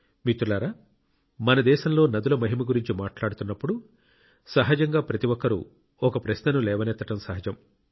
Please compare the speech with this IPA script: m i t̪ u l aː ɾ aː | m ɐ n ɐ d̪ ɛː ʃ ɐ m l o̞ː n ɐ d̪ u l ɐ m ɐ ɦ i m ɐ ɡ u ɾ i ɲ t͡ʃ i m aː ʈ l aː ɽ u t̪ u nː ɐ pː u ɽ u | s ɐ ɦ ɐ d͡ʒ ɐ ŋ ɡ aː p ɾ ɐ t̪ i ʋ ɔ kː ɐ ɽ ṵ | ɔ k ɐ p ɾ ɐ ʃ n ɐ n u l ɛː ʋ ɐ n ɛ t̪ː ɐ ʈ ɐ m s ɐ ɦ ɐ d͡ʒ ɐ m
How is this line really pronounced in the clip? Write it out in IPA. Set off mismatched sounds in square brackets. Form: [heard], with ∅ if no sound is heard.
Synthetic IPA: m i t̪ u l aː ɾ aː | m ɐ n ɐ d̪ ɛː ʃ ɐ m l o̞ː n ɐ d̪ u l ɐ m ɐ ɦ i m ɐ ɡ u ɾ i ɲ t͡ʃ i m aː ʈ l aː ɽ u t̪ u nː ɐ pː u ɽ u | s ɐ ɦ ɐ d͡ʒ ɐ ŋ ɡ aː p ɾ ɐ t̪ i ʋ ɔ kː ɐ [ɾ] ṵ | ɔ k ɐ p ɾ ɐ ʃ n ɐ n u l ɛː ʋ ɐ n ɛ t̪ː ɐ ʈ ɐ m s ɐ ɦ ɐ d͡ʒ ɐ m